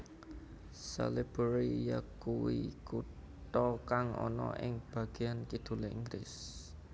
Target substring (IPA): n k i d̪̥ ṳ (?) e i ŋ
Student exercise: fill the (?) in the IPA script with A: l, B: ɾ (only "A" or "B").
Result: A